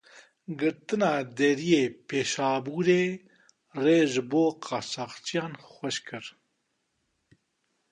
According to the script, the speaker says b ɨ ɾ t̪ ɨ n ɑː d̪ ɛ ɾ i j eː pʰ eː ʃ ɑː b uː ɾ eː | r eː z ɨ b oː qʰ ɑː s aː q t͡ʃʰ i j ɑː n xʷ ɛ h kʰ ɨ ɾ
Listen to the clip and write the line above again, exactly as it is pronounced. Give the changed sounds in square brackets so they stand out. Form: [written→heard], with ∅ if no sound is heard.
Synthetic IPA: [b→ɡ] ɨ ɾ t̪ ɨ n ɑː d̪ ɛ ɾ i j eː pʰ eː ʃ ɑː b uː ɾ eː | r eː [z→ʒ] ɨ b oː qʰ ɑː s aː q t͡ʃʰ i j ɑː n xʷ ɛ [h→ʃ] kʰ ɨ ɾ